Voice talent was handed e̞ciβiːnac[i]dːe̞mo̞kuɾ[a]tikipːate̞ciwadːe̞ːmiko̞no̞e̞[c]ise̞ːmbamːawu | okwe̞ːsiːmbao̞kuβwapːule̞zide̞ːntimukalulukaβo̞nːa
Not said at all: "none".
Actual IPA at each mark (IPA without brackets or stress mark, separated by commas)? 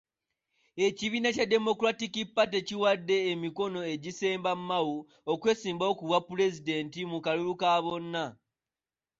a, a, ɟ